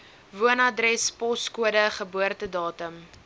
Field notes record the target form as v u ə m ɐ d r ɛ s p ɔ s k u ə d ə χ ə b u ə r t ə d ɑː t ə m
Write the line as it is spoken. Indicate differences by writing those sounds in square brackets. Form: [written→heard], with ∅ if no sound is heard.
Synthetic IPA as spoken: v u ə [m→n] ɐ d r ɛ s p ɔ s k u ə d ə χ ə b u ə r t ə d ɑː t ə m